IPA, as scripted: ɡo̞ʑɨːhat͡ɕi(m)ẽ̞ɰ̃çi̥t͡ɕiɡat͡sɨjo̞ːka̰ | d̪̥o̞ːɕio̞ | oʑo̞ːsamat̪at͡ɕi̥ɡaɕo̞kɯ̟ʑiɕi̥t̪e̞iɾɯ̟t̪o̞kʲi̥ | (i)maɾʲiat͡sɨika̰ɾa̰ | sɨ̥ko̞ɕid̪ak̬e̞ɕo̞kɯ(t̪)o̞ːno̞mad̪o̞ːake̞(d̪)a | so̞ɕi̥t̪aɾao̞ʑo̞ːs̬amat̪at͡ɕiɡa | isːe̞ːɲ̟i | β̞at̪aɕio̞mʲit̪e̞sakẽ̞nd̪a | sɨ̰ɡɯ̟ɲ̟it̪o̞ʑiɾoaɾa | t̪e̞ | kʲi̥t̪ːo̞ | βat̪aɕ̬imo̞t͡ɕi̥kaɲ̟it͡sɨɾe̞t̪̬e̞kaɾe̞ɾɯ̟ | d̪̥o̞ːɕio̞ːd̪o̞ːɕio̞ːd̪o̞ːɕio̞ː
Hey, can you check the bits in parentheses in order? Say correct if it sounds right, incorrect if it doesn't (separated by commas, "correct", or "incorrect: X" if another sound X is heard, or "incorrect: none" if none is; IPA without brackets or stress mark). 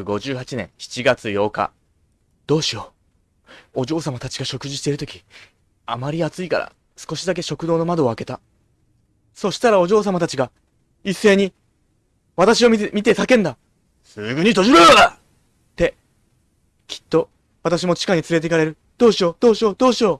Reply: incorrect: n, incorrect: a, incorrect: d̪, incorrect: t̪